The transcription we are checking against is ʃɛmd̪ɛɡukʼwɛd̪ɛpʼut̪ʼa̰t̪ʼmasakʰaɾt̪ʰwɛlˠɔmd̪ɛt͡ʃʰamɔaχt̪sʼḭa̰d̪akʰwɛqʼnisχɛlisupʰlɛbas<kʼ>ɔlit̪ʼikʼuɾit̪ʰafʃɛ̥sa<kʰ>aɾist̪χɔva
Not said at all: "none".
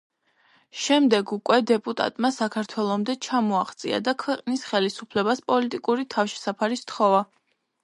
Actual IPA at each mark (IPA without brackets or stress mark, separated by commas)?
pʼ, pʰ